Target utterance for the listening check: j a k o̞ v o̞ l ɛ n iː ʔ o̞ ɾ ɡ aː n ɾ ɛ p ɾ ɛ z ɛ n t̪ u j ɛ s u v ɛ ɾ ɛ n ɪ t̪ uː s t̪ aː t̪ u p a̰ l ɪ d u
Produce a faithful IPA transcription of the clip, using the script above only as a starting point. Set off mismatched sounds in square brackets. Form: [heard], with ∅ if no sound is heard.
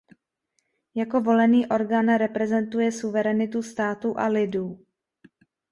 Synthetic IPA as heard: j a k o̞ v o̞ l ɛ n iː ʔ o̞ ɾ ɡ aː n ɾ ɛ p ɾ ɛ z ɛ n t̪ u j ɛ s u v ɛ ɾ ɛ n ɪ t̪ [u] s t̪ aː t̪ u [ʔ] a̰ l ɪ d [uː]